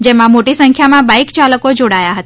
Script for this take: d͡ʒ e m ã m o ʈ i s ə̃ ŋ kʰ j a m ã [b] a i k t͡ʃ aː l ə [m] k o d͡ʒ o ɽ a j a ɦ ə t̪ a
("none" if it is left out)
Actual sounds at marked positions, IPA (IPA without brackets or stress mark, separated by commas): b, none